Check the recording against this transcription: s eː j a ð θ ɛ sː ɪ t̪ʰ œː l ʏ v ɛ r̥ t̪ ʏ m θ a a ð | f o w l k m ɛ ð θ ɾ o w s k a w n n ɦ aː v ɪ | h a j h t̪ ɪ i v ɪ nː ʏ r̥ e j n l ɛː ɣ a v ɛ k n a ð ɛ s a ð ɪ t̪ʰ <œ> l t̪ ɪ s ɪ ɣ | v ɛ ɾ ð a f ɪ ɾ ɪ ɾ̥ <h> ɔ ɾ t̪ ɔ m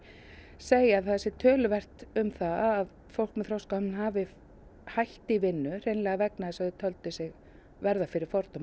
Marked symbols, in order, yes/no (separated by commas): yes, no